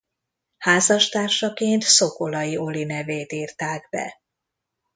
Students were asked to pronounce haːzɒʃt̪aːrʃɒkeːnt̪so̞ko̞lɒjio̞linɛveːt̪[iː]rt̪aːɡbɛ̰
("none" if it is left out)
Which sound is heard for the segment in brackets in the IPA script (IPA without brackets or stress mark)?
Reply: iː